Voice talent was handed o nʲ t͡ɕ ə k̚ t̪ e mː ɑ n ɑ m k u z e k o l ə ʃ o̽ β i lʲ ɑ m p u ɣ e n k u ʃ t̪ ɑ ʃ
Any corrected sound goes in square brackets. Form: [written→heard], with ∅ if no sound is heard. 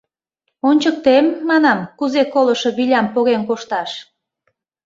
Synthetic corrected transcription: o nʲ t͡ɕ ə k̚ t̪ e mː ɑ n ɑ m k u z e k o l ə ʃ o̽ β i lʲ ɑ m p [u→o] ɣ e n k [u→o] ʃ t̪ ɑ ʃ